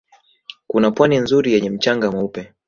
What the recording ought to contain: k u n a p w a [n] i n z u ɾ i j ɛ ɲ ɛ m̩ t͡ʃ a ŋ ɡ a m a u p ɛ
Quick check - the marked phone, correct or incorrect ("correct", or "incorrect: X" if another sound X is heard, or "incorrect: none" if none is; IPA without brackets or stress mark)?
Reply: correct